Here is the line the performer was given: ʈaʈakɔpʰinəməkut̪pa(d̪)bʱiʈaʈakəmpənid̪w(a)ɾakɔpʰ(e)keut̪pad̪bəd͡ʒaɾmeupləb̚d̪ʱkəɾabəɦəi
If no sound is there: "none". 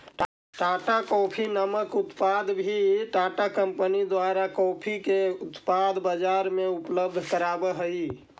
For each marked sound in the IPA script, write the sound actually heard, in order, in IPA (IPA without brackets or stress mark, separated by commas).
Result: d̪, a, i